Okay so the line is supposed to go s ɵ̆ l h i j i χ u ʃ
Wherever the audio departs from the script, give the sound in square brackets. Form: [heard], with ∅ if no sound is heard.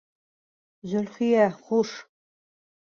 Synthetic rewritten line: [z] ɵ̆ l [χ] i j [æ] χ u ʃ